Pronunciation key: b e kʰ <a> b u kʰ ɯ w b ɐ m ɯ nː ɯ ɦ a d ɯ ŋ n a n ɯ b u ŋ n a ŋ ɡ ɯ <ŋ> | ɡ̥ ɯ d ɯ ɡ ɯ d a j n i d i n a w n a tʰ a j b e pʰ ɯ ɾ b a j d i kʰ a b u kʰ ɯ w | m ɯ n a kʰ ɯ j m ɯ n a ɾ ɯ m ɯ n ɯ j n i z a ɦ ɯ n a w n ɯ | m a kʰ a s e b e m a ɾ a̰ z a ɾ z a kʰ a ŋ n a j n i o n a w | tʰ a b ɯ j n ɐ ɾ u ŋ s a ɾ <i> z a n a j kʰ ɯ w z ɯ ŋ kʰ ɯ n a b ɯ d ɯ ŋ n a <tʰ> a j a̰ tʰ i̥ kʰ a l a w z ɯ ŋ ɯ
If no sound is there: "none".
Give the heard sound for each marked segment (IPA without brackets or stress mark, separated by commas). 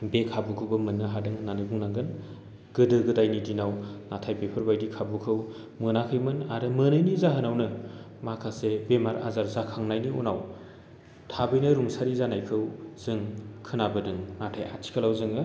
a, n, i, tʰ